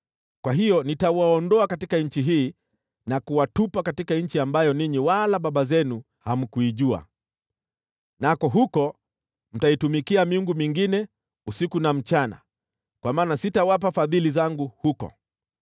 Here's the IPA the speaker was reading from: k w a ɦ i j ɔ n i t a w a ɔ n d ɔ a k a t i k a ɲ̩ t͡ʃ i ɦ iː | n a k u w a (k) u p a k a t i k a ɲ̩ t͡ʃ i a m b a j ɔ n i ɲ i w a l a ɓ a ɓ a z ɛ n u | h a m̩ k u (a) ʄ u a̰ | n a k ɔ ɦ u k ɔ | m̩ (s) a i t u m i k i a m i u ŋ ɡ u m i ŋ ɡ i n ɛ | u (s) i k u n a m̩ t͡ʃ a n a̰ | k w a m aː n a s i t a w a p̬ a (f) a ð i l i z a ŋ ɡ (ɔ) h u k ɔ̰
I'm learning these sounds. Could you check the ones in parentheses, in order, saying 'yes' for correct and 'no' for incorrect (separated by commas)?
no, no, no, yes, yes, no